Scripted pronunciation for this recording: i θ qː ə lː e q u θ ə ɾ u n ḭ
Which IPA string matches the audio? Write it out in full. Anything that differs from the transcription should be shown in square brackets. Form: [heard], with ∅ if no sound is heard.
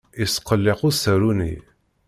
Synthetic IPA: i [s] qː ə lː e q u [s] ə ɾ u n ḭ